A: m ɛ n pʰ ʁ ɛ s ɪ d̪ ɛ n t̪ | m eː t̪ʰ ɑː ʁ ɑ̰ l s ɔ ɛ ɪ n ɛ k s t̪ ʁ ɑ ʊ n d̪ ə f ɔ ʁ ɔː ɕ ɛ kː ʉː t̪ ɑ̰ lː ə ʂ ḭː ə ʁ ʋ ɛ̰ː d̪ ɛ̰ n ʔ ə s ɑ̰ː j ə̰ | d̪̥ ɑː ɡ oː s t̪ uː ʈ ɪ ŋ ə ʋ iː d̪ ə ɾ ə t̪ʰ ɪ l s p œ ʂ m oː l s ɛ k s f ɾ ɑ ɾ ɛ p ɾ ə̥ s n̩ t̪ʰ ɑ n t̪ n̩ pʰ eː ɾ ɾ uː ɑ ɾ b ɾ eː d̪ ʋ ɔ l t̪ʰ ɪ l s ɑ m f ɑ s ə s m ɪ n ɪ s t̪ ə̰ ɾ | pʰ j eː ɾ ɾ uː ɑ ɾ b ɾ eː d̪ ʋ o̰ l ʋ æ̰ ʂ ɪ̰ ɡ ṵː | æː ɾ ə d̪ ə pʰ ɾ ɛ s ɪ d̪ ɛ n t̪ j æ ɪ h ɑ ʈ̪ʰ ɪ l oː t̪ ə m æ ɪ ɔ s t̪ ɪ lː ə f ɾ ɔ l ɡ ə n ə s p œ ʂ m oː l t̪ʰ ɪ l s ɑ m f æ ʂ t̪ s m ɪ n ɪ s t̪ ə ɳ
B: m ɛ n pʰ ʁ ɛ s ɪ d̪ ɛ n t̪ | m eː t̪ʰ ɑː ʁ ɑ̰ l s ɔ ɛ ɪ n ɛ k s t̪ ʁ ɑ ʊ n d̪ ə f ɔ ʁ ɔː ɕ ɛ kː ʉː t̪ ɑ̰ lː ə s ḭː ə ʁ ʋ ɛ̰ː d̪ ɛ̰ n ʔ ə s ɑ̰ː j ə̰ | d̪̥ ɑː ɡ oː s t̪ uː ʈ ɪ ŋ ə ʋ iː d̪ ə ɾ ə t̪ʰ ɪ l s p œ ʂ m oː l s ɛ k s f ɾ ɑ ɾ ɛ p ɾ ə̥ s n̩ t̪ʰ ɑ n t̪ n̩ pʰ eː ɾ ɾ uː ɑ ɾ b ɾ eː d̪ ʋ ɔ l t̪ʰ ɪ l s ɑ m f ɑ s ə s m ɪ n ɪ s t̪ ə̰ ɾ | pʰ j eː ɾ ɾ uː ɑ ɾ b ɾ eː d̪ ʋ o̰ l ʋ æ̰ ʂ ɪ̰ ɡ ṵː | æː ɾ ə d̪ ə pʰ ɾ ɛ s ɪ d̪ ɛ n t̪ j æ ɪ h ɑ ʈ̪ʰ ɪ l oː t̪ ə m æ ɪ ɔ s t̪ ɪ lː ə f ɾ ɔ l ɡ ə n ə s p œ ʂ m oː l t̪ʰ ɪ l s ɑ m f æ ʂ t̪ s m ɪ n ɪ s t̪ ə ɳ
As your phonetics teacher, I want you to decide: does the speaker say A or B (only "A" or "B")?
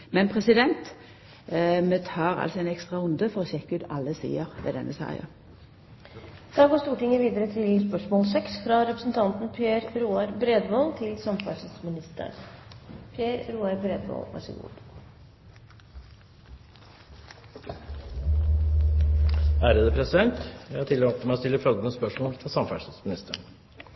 B